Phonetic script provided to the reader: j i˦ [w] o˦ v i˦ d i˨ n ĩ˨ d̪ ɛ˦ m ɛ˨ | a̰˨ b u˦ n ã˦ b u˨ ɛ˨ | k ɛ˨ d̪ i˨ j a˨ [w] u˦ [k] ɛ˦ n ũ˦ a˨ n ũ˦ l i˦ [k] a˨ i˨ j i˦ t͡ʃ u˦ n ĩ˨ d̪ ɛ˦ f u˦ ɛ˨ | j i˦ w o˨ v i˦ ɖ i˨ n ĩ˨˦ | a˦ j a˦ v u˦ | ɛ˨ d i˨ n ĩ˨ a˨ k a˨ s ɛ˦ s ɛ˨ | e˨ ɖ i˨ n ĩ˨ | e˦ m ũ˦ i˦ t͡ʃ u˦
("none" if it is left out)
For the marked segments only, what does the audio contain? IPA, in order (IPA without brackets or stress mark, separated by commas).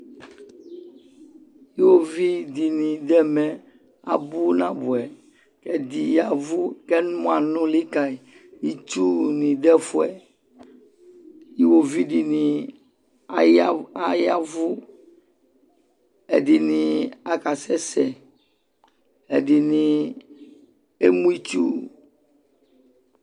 w, v, k, k